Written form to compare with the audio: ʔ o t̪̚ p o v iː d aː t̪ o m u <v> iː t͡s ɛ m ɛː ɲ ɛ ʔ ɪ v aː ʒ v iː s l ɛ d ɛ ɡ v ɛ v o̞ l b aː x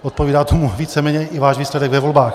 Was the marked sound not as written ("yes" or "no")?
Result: no